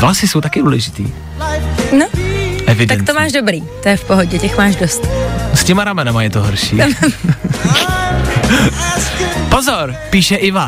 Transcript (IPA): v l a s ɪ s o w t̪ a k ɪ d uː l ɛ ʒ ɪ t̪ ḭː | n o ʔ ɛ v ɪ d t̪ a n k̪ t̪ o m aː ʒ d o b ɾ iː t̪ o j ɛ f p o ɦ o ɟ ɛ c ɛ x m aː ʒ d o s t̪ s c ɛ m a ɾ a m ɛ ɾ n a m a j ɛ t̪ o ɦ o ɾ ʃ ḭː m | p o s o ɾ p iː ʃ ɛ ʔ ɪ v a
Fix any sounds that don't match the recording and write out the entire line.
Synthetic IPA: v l a s ɪ s o w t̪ a k ɪ d uː l ɛ ʒ ɪ t̪ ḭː | n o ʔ ɛ v ɪ d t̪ a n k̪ t̪ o m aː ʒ d o b ɾ iː t̪ o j ɛ f p o ɦ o ɟ ɛ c ɛ x m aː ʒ d o s t̪ s c ɛ m a ɾ a m ɛ n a m a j ɛ t̪ o ɦ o ɾ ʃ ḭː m | p o z o ɾ p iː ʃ ɛ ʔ ɪ v a